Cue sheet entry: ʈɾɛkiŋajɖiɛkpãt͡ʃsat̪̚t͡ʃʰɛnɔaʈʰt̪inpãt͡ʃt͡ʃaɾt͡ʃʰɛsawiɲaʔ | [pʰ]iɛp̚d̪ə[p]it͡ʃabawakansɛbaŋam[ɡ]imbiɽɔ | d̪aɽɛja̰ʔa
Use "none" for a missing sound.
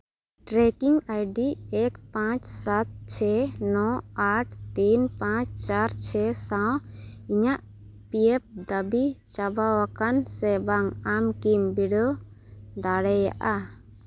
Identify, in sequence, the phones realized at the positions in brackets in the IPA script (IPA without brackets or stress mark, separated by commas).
p, b, k